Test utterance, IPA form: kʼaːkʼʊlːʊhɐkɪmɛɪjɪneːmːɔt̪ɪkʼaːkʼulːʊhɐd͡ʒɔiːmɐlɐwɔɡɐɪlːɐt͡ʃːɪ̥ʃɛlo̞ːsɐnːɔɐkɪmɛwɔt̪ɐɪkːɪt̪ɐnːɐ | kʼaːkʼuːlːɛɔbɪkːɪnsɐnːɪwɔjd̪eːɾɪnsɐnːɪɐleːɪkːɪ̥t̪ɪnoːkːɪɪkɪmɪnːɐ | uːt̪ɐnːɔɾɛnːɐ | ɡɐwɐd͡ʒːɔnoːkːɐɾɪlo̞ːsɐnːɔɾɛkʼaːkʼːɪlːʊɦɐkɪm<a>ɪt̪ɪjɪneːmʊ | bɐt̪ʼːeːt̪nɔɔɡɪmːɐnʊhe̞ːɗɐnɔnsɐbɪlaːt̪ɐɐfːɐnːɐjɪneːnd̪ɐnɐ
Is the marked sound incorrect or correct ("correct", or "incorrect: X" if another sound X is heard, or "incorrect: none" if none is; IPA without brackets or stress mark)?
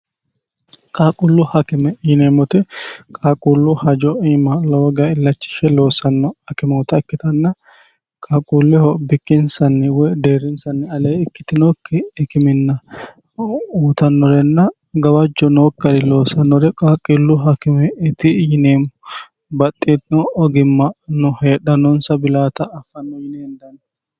incorrect: ɛ